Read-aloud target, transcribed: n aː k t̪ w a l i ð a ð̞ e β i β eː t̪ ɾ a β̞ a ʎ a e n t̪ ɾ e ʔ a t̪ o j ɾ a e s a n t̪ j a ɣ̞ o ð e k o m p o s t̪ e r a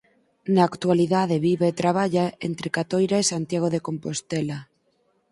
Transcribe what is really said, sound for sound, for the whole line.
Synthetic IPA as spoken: n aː k t̪ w a l i ð a ð̞ e β i β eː t̪ ɾ a β̞ a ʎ a e n t̪ ɾ e k a t̪ o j ɾ a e s a n t̪ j a ɣ̞ o ð e k o m p o s t̪ e l a